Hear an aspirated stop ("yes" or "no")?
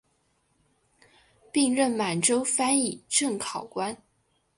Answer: yes